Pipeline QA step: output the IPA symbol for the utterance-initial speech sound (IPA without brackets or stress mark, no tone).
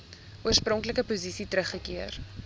u